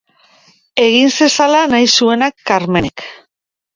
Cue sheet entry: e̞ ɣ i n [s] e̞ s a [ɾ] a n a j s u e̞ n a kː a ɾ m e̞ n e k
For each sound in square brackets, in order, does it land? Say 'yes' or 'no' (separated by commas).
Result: yes, no